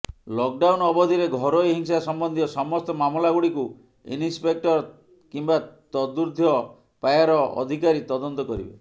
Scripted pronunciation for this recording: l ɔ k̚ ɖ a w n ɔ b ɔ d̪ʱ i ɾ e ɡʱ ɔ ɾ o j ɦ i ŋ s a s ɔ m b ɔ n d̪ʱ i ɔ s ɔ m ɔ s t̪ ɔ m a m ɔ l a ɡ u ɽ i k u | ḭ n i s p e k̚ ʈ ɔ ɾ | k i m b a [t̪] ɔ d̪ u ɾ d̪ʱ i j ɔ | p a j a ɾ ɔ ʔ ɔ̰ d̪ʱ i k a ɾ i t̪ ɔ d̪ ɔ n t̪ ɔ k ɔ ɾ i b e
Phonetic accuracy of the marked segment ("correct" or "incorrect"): correct